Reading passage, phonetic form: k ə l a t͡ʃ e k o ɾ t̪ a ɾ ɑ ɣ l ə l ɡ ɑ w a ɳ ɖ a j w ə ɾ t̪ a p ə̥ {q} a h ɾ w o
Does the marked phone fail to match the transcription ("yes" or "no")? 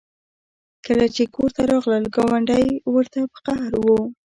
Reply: no